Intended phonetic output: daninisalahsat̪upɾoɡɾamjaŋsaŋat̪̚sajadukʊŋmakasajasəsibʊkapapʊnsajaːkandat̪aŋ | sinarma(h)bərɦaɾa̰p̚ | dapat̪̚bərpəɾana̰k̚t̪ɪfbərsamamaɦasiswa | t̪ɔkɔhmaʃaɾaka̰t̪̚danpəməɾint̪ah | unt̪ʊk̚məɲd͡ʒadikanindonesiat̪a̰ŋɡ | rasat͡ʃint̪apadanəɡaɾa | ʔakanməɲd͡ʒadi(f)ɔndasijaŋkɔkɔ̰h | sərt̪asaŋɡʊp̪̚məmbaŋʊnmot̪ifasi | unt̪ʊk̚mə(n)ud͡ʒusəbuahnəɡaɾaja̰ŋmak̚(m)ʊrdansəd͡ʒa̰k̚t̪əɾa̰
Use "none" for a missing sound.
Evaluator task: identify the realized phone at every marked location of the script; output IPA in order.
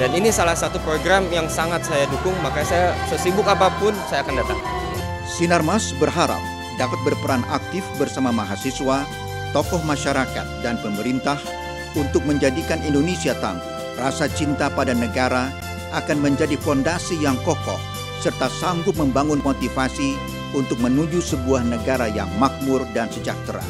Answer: s, f, n, m

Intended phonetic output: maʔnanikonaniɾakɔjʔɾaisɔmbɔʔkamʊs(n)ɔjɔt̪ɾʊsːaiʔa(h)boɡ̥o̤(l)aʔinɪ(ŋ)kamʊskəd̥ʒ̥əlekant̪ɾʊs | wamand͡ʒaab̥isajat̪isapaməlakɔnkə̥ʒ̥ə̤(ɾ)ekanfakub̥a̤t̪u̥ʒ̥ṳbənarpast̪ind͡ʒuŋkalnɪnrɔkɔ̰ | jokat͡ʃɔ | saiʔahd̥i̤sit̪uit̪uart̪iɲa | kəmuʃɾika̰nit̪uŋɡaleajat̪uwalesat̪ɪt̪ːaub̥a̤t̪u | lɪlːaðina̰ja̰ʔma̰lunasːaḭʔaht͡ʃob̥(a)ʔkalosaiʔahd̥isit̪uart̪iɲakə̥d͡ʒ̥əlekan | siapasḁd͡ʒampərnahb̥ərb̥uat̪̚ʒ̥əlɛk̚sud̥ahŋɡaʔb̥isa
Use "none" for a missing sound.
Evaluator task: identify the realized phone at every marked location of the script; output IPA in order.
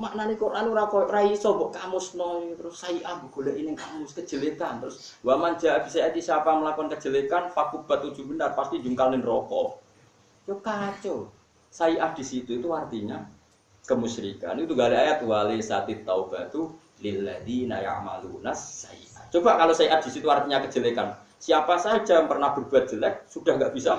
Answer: n, h, l, ŋ, l, a

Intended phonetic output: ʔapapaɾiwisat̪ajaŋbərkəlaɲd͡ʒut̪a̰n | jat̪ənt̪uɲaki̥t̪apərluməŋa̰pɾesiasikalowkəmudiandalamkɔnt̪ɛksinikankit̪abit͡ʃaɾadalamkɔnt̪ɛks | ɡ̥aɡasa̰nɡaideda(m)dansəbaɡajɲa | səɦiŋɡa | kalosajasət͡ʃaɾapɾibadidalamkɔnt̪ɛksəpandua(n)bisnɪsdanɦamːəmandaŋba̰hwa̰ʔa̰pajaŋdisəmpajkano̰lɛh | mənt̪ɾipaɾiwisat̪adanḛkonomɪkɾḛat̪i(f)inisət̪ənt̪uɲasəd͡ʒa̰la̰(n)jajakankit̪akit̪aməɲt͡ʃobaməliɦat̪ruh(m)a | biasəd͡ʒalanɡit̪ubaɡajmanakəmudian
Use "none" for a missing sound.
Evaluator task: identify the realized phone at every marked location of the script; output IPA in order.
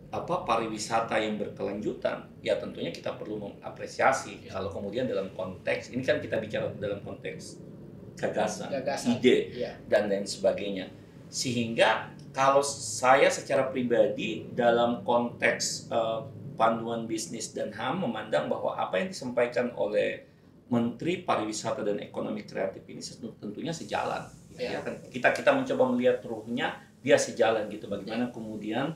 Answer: n, n, f, n, ɲ

